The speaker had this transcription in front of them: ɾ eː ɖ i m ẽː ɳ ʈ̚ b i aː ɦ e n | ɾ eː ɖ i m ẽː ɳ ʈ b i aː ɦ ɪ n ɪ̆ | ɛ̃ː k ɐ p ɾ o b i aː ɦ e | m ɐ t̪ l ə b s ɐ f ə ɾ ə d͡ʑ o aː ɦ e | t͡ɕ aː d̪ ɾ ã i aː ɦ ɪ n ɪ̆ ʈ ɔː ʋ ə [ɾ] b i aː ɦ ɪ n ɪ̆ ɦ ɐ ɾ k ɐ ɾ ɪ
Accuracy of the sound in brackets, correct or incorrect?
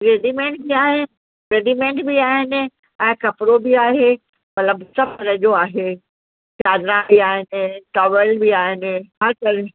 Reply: incorrect: l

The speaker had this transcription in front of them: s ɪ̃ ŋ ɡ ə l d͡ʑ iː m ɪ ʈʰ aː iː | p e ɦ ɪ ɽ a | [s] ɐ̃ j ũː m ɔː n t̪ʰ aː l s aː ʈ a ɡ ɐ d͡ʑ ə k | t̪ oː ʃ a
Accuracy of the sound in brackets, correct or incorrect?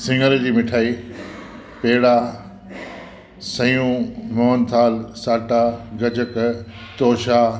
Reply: correct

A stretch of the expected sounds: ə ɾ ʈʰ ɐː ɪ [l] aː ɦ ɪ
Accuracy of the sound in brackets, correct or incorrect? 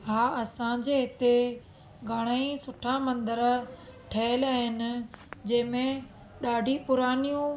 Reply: correct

